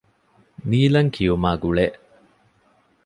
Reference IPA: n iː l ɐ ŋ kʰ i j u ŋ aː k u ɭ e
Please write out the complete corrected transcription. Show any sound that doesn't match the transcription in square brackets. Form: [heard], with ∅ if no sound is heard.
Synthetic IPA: n iː l ɐ ŋ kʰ i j u [m] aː [ɡ] u ɭ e